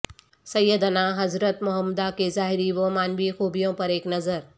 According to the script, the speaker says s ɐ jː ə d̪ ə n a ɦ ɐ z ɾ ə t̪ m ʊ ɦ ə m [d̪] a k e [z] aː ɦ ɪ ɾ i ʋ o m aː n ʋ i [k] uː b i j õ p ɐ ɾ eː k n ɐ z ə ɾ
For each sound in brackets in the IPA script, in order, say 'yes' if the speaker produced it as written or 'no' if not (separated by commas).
yes, yes, no